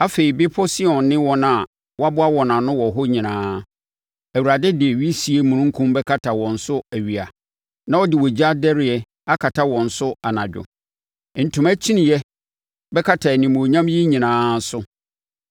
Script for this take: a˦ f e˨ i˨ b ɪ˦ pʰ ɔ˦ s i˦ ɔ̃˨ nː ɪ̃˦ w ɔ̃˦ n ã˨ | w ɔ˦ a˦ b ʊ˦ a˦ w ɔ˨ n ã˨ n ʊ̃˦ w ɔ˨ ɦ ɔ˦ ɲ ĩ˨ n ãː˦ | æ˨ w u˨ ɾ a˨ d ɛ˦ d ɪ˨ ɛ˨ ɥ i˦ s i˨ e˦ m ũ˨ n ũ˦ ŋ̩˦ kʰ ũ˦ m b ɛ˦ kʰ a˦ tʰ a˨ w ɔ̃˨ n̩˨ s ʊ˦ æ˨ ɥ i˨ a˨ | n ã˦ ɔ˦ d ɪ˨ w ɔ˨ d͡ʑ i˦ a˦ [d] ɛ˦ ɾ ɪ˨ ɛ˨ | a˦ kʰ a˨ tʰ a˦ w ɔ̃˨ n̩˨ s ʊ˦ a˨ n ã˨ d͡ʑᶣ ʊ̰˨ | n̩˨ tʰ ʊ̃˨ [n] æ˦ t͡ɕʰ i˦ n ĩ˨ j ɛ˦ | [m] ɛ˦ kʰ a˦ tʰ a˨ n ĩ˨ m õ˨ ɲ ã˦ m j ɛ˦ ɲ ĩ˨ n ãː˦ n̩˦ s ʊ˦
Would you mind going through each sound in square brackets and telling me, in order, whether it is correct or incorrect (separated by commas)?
correct, incorrect, incorrect